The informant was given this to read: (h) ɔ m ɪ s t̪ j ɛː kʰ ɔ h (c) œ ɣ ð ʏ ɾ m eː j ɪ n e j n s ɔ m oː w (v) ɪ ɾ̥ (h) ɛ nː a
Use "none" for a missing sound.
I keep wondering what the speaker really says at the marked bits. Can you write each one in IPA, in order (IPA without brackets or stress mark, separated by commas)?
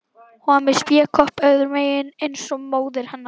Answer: h, p, ð, h